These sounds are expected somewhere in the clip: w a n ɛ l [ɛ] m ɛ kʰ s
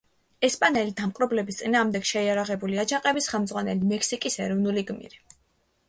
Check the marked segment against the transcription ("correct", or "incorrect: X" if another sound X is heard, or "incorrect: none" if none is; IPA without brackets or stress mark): incorrect: i